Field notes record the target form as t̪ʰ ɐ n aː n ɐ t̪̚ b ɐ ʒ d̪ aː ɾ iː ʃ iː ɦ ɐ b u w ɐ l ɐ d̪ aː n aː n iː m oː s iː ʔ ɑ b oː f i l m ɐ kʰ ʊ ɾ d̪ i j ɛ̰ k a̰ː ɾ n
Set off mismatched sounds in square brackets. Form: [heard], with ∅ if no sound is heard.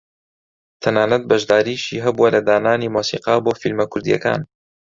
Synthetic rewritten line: t̪ʰ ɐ n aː n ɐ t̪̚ b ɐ ʒ d̪ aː ɾ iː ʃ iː ɦ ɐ b u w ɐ l ɐ d̪ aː n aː n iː m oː s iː [q] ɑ b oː f i l m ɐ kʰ ʊ ɾ d̪ i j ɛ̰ k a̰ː [∅] n